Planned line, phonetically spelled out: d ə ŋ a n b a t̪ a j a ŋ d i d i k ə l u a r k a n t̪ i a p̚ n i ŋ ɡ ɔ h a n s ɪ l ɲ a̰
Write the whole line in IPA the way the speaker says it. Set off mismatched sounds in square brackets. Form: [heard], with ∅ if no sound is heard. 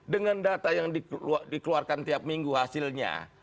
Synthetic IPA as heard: d ə ŋ a n [d] a t̪ a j a ŋ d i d i k ə l u a r k a n t̪ i a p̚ [m] i ŋ ɡ [u] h a [∅] s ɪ l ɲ a̰